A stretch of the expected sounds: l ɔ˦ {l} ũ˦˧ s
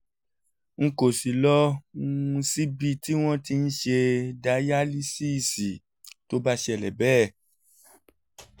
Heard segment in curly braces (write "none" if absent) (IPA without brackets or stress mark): none